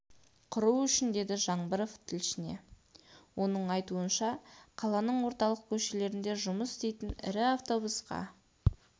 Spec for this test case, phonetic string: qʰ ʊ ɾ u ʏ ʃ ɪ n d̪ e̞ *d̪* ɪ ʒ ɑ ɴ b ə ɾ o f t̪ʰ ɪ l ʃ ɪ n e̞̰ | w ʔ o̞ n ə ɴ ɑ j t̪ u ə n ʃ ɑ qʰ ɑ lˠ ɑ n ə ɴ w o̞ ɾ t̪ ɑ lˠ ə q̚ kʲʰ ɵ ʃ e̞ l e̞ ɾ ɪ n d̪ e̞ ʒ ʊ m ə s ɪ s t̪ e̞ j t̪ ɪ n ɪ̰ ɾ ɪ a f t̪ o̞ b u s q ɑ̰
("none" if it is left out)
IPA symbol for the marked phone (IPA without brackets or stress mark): d̪